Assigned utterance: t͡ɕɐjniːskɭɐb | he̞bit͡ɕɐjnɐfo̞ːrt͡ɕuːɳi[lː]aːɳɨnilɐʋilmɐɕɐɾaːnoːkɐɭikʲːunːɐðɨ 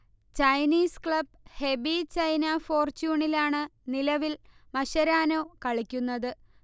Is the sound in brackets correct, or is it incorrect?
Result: incorrect